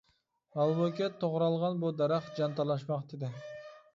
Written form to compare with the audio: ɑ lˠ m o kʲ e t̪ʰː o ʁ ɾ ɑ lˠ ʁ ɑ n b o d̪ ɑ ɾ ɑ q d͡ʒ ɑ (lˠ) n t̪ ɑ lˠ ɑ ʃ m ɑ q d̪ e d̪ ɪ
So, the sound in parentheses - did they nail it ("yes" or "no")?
no